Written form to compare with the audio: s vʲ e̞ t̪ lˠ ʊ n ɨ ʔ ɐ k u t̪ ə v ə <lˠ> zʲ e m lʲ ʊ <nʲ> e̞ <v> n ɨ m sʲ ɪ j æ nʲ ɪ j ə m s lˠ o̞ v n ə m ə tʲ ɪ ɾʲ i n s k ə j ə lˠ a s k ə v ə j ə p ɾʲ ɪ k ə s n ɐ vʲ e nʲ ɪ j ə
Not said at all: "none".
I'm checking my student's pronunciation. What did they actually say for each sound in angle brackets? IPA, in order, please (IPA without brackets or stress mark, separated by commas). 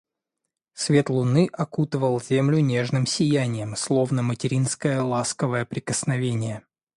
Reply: lˠ, nʲ, ʐ